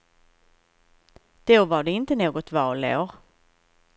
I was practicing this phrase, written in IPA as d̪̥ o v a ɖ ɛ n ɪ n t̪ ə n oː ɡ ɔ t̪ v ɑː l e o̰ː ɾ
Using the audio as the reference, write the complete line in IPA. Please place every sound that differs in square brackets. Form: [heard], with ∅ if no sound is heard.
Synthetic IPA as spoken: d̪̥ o v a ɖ ɛ [∅] ɪ n t̪ ə n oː ɡ ɔ t̪ v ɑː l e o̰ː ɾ